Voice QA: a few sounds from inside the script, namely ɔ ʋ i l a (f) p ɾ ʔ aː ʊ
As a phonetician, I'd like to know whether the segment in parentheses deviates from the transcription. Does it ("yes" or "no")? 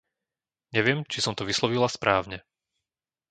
yes